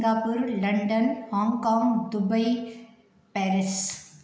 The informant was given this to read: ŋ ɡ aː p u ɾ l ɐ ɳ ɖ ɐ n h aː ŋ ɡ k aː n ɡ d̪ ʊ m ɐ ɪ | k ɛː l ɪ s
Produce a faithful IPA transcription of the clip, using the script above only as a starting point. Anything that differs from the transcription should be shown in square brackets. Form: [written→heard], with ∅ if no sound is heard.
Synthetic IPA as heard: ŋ ɡ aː p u ɾ l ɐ ɳ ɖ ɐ n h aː ŋ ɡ k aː [n→ŋ] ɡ d̪ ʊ [m→b] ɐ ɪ | [k→p] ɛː [l→ɾ] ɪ s